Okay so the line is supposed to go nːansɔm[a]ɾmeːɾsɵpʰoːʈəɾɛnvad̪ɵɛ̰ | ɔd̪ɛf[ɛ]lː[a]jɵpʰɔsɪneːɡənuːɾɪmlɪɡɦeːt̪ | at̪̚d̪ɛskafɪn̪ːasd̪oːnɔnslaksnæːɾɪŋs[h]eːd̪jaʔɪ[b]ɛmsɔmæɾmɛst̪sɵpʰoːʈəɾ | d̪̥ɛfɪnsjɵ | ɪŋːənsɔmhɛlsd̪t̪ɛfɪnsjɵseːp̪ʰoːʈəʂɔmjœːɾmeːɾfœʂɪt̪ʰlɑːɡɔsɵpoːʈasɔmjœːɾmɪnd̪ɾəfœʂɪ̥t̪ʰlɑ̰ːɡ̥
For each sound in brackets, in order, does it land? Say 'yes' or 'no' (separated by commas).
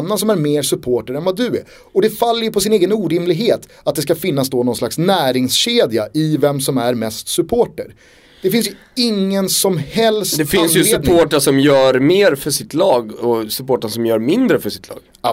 no, no, no, no, no